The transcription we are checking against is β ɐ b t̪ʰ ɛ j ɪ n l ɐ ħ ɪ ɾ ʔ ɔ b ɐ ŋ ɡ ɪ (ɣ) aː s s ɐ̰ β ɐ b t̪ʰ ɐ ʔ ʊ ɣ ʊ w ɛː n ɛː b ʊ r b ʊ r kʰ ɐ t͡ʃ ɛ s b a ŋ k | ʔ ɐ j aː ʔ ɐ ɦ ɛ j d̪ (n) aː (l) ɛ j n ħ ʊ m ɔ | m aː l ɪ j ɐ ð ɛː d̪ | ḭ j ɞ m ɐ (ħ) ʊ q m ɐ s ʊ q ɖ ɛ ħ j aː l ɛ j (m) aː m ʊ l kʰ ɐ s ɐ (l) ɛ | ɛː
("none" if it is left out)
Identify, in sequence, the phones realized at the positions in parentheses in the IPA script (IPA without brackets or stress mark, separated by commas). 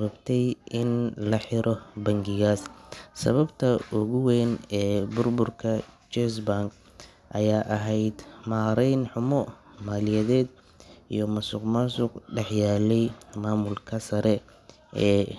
ɣ, m, ɾ, s, m, ɾ